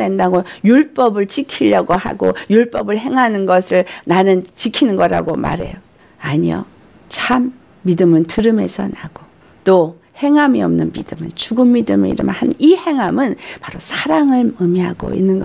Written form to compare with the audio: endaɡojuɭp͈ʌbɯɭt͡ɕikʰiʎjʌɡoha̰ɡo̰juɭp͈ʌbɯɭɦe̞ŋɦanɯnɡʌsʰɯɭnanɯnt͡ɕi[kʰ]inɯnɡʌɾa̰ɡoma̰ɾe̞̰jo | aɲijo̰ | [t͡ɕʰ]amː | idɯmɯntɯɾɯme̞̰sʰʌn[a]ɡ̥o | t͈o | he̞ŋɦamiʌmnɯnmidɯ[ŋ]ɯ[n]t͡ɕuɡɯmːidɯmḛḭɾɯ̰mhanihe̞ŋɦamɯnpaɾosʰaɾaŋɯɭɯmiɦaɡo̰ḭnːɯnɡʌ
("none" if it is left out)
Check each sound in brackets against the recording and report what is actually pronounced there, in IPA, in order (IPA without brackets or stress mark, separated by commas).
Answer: kʰ, t͡ɕʰ, a, m, n